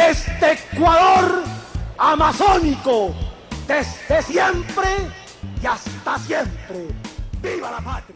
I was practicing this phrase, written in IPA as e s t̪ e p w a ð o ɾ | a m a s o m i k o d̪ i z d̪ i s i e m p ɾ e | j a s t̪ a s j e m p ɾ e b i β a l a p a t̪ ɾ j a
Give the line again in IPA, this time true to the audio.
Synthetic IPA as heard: e s t̪ e k w a ð o ɾ | a m a s o n i k o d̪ e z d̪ e s j e m p ɾ e | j a s t̪ a s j e m p ɾ e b i β a l a p a t̪ ɾ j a

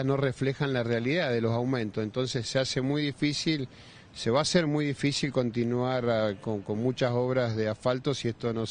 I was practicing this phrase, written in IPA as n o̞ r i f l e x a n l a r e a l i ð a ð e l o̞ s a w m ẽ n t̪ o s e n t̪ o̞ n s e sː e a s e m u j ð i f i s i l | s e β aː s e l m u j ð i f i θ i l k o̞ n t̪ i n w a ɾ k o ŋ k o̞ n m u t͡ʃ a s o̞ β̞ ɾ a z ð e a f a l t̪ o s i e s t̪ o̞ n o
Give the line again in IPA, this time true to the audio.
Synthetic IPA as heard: n o̞ r e f l e x a n l a r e a l i ð a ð e l o̞ s a w m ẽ n t̪ o s e n t̪ o̞ n s e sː e a s e m u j ð i f i s i l | s e β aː s e ɾ m u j ð i f i s i l k o̞ n t̪ i n w a ɾ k o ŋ k o̞ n m u t͡ʃ a s o̞ β̞ ɾ a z ð e a f a l t̪ o s i e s t̪ o̞ n o

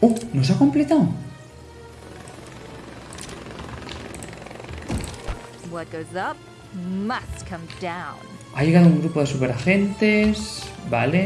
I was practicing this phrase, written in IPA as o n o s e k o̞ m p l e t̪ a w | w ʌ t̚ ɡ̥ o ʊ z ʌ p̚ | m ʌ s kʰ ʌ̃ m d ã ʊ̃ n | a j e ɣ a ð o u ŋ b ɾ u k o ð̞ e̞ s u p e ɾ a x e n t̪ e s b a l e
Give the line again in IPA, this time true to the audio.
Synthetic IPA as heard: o n o s a k o̞ m p l e t̪ a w | w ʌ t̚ ɡ̥ o ʊ z ʌ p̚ | m ʌ s kʰ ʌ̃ m d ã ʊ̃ n | a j e ɣ a ð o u ŋ ɡ ɾ u p o ð̞ e̞ s u p e ɾ a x e n t̪ e s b a l e

